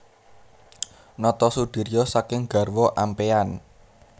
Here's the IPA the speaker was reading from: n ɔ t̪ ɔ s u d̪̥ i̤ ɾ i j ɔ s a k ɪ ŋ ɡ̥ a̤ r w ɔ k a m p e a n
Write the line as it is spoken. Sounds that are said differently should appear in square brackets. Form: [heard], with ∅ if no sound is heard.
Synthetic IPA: n ɔ t̪ ɔ s u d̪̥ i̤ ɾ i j ɔ s a k ɪ ŋ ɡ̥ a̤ r w ɔ [ʔ] a m p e a n